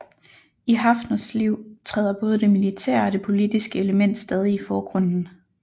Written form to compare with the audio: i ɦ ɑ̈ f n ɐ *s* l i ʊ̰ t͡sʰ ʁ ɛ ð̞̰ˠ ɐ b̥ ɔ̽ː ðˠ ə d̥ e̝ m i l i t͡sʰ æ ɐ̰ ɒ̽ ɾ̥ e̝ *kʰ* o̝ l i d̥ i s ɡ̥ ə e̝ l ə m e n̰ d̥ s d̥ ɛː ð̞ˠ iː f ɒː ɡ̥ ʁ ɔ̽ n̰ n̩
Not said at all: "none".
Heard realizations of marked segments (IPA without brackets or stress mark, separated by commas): s, pʰ